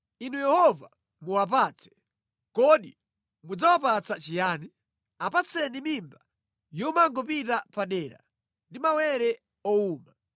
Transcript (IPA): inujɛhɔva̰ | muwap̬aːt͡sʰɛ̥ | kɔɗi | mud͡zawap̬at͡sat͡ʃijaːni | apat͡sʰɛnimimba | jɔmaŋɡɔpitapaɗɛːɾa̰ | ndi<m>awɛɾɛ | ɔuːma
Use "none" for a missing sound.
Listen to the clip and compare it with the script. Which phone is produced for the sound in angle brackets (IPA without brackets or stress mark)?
m